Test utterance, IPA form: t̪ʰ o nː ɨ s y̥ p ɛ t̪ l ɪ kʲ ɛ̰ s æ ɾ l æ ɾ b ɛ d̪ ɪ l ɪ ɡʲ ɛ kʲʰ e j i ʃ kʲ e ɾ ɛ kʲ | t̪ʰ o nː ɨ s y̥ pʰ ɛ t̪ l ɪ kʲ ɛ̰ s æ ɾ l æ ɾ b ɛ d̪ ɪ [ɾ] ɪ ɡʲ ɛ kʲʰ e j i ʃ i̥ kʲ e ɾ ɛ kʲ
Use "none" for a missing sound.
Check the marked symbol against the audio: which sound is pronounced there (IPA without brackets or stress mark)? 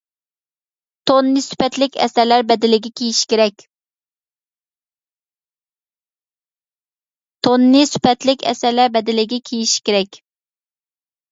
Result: l